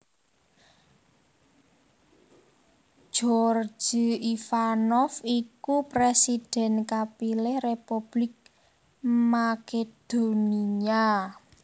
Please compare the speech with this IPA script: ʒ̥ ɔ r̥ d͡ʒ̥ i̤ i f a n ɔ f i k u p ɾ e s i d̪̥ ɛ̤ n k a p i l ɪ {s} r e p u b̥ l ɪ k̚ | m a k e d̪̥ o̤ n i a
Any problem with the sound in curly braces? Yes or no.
yes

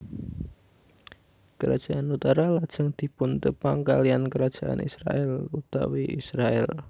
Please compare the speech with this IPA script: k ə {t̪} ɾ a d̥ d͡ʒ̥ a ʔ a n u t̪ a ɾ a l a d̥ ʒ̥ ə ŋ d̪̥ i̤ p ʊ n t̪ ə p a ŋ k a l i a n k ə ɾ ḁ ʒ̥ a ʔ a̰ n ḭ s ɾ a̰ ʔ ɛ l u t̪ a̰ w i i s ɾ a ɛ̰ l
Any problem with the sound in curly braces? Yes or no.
yes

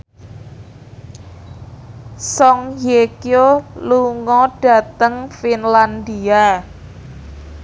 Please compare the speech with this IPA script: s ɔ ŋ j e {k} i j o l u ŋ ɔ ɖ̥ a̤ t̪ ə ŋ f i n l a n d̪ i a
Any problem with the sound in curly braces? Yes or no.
no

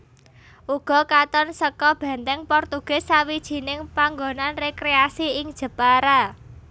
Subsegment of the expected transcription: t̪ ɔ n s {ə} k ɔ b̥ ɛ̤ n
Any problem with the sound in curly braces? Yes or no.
no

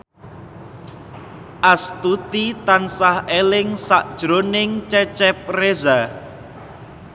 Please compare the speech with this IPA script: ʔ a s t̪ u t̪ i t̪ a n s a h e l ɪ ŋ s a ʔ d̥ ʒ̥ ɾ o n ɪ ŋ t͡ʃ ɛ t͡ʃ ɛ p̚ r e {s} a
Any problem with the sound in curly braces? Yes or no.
yes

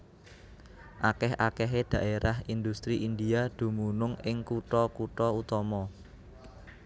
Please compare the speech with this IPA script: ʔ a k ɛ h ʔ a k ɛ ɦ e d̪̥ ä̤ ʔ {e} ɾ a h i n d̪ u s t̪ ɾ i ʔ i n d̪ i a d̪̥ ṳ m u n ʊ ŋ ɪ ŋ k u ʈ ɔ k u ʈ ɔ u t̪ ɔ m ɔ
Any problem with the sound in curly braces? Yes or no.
no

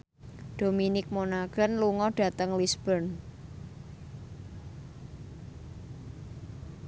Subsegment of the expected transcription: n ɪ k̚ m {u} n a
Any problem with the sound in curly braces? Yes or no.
yes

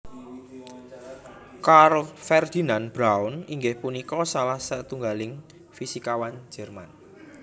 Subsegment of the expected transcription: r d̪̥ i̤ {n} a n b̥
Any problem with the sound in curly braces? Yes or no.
no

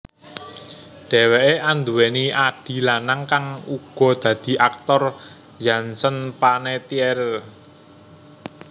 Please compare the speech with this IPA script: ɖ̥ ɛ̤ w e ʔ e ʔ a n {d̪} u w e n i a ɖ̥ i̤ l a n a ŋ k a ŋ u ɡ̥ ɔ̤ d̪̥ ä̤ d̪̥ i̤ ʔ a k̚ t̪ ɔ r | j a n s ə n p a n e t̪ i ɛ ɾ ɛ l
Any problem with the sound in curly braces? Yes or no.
no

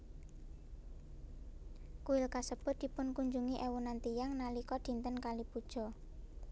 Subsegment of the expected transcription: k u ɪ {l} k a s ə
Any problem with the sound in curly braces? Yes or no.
no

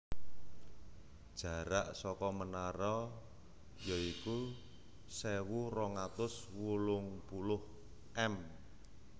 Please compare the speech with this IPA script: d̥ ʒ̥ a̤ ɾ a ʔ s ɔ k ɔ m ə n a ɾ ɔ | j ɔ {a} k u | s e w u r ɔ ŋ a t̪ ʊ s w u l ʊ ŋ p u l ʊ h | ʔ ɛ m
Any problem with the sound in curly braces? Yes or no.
yes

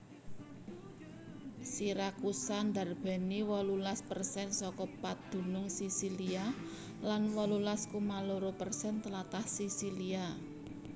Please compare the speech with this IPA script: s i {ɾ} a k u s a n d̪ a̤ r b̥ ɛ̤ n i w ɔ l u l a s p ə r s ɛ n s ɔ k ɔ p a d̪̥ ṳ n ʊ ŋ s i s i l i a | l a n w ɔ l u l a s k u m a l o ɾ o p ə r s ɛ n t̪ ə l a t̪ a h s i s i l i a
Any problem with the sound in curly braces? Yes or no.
no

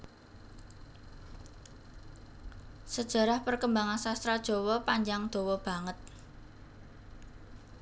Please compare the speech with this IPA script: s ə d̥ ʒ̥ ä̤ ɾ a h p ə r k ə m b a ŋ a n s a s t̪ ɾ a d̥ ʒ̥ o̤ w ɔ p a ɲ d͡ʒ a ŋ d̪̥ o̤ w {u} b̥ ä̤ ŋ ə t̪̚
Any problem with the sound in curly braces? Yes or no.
yes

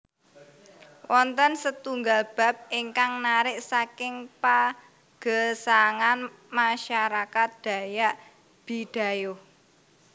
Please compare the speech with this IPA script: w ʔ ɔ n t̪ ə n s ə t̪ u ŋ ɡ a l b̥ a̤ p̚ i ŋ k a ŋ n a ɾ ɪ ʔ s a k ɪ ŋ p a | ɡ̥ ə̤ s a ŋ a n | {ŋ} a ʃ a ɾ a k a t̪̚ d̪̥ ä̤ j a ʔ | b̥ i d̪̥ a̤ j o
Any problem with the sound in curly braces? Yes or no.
yes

